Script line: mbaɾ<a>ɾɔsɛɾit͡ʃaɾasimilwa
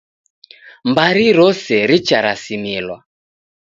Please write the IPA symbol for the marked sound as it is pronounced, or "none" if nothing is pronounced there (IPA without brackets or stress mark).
i